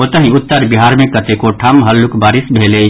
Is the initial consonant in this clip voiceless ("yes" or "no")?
yes